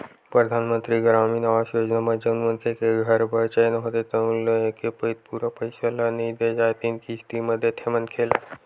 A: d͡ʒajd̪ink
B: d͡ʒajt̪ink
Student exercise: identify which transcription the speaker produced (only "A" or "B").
B